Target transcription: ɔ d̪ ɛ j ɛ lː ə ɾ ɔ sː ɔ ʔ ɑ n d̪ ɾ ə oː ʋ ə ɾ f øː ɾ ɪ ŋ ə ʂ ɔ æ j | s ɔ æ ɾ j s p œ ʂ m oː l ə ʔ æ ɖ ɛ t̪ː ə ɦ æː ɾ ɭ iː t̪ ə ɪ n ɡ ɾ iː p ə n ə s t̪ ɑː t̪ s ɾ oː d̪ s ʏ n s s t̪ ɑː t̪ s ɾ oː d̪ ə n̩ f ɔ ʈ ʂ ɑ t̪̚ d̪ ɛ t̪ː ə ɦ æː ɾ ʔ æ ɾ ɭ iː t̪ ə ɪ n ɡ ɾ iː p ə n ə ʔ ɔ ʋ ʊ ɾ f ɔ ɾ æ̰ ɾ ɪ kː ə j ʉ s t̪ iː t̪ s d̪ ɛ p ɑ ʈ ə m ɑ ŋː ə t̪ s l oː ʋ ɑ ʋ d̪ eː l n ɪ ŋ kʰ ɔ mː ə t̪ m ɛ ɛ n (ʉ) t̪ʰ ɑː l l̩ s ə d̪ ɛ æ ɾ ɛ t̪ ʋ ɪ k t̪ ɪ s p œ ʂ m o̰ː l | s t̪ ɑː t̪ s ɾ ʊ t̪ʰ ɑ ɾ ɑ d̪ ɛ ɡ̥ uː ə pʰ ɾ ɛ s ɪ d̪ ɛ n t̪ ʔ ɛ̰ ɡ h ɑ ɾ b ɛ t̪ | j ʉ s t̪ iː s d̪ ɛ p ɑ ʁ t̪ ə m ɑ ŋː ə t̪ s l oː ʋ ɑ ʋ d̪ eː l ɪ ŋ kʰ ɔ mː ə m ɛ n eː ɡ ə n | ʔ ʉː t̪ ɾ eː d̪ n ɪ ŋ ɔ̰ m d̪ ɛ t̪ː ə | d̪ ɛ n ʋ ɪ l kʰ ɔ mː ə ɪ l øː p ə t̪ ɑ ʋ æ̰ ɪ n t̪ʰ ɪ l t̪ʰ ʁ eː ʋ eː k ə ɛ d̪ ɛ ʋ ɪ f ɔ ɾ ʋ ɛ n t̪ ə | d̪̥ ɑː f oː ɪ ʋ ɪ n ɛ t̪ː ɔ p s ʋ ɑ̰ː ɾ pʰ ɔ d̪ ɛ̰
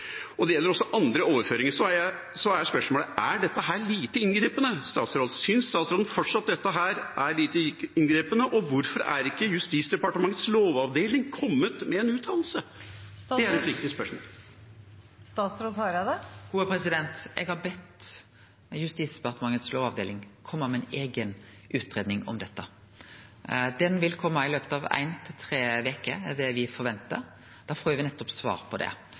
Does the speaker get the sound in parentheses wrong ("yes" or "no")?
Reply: yes